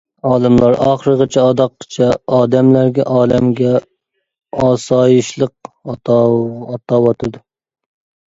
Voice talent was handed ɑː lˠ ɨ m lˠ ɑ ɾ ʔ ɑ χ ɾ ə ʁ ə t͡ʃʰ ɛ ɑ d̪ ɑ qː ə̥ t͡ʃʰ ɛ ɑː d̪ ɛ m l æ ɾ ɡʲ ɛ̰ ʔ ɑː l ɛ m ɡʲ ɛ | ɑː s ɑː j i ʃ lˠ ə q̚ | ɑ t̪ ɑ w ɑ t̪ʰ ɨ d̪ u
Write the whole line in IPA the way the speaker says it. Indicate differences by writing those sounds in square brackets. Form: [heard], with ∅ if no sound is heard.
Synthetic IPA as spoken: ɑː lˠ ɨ m lˠ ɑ ɾ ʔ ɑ χ ɾ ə ʁ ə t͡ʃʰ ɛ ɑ d̪ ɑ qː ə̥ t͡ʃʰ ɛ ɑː d̪ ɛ m l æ ɾ ɡʲ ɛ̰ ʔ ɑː l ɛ m ɡʲ ɛ | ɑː s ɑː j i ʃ lˠ ə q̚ | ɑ t̪ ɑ w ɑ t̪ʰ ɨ d̪ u